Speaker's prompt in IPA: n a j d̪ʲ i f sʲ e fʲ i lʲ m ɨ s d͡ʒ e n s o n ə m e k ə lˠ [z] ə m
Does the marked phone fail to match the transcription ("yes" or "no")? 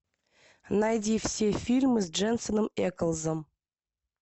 no